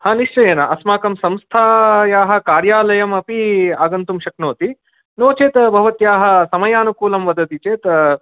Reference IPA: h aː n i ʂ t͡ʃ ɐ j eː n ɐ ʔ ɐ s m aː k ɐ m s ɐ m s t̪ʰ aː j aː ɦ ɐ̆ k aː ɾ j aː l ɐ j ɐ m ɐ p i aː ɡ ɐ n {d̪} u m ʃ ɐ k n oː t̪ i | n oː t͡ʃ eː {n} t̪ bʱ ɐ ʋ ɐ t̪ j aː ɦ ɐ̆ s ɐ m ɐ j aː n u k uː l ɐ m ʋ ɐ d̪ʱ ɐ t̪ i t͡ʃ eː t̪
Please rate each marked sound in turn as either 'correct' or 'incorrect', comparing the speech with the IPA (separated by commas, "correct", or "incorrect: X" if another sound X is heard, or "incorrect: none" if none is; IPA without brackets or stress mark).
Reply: incorrect: t̪, incorrect: none